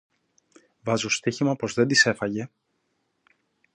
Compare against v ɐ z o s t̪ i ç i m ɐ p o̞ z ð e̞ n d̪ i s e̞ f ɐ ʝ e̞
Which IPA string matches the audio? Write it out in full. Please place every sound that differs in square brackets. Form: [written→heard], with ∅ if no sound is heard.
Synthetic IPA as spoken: v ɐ z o s t̪ i ç i m ɐ p o̞ z ð e̞ n d̪ i s e̞ f ɐ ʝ e̞